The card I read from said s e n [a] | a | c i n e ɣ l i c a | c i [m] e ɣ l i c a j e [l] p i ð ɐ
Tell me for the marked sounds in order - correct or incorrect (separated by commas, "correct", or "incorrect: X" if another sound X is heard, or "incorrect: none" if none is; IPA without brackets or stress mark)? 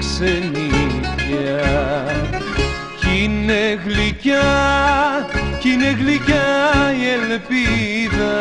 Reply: incorrect: i, incorrect: n, correct